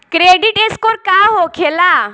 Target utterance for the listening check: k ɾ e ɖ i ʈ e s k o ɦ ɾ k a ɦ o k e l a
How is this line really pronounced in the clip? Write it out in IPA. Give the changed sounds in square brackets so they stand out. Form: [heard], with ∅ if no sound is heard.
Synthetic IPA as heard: k ɾ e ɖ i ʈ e s k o [∅] ɾ k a ɦ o [kʰ] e l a